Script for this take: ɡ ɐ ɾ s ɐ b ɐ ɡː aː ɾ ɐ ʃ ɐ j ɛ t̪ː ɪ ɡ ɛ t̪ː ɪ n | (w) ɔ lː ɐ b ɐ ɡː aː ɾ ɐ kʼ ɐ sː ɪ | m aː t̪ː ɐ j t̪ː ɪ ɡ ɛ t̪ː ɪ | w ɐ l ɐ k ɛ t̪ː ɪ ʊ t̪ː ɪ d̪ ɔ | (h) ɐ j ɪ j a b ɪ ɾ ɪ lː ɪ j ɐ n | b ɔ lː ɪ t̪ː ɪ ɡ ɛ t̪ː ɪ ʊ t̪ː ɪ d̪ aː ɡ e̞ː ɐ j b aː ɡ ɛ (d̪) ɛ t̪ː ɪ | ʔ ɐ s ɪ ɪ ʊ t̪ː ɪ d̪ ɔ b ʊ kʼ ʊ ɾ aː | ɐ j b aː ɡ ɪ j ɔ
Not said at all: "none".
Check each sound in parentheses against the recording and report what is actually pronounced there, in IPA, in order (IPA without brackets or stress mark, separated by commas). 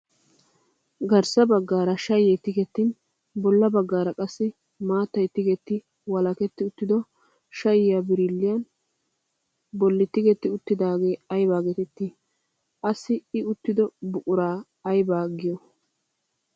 b, ʃ, t̪